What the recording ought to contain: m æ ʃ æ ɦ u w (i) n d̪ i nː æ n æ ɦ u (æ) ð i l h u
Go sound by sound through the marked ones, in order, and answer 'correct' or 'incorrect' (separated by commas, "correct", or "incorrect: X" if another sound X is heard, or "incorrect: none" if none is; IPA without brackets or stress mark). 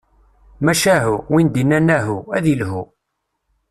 correct, correct